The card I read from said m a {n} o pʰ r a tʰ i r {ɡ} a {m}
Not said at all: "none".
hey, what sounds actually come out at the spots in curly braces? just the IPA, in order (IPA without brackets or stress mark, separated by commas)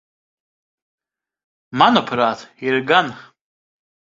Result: n, ɡ, n